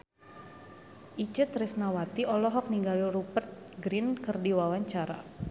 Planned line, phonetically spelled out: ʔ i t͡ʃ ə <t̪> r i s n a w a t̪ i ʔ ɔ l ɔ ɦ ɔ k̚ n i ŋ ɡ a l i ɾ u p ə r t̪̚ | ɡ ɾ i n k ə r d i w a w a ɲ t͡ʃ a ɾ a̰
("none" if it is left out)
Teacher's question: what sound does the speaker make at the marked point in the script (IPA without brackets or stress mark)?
t̪